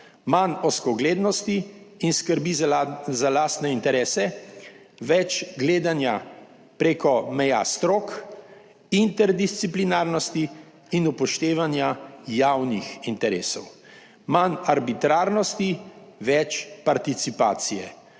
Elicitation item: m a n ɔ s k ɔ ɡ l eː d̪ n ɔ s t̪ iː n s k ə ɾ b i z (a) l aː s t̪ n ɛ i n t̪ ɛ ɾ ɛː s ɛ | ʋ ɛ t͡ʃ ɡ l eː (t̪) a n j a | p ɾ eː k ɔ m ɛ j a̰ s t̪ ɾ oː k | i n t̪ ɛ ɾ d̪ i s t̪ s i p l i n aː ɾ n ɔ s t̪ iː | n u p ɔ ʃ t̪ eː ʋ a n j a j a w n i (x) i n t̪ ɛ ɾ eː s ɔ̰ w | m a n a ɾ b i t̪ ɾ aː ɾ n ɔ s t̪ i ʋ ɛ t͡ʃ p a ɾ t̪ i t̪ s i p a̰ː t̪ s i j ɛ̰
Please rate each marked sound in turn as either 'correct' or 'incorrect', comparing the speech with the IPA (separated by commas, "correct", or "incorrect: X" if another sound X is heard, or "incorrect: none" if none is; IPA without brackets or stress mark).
correct, incorrect: d̪, correct